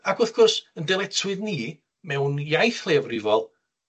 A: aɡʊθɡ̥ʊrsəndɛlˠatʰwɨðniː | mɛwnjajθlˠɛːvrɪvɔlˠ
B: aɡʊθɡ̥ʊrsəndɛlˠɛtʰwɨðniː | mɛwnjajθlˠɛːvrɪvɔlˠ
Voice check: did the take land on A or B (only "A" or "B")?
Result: B